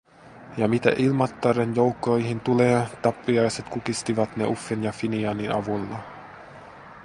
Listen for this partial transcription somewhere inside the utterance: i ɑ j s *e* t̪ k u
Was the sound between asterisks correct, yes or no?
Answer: yes